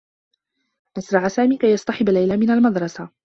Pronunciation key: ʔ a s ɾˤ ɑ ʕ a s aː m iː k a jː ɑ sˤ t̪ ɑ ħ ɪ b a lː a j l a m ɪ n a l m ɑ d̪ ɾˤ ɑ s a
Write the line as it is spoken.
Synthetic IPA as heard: ʔ a s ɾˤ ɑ ʕ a s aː m iː k a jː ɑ sˤ t̪ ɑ ħ ɪ b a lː a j l a m ɪ n a l m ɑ d̪ ɾˤ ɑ s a